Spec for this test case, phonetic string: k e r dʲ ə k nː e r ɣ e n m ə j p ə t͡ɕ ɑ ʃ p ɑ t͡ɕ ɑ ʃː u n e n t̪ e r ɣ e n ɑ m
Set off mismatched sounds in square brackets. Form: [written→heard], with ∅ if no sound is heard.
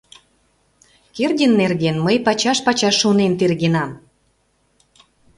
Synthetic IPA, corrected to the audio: k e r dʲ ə [k→∅] nː e r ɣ e n m ə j p [ə→ɑ] t͡ɕ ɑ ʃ p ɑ t͡ɕ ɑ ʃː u n e n t̪ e r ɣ e n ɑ m